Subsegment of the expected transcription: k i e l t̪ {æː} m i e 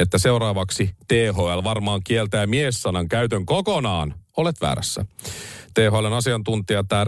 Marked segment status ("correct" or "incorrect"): correct